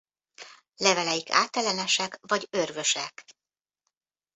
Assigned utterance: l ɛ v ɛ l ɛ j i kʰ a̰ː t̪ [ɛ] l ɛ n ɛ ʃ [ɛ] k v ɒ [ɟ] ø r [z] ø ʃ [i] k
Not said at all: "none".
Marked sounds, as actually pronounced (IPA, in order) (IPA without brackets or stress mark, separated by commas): ɛ, ɛ, ɟ, v, ɛ